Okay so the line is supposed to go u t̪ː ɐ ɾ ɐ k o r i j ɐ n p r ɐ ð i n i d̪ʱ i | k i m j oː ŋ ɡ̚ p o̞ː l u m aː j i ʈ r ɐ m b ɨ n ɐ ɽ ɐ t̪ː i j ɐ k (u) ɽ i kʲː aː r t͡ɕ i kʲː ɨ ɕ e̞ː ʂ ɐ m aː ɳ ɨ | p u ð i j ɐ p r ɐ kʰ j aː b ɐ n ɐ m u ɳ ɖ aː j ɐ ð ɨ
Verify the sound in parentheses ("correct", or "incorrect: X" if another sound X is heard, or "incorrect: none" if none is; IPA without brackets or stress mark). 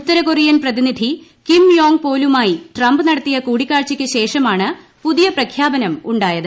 incorrect: uː